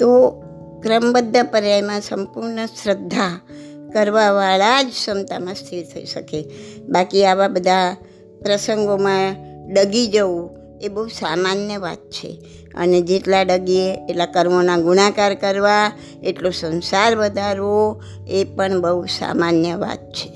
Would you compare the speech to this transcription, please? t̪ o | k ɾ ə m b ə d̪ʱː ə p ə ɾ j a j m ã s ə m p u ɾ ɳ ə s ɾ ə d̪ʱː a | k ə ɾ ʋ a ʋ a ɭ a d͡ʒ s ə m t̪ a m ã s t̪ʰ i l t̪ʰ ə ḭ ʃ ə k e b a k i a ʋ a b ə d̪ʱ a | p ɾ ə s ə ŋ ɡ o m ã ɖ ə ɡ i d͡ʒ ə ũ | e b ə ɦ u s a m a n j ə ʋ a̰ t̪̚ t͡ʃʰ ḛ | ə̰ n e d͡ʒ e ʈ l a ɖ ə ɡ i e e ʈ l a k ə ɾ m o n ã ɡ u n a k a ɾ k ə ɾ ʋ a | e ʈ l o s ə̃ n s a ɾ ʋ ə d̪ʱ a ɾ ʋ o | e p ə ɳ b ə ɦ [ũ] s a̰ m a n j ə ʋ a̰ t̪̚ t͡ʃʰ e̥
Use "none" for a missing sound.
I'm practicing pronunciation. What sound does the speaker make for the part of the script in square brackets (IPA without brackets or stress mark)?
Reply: u